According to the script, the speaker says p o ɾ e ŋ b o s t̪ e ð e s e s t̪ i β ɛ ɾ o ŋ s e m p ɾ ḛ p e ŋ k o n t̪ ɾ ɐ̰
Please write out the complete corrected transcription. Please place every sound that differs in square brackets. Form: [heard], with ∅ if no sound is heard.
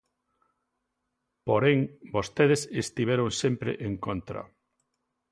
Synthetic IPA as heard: p o ɾ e ŋ b o s t̪ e ð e s e s t̪ i β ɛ ɾ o ŋ s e m p ɾ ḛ [ʔ] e ŋ k o n t̪ ɾ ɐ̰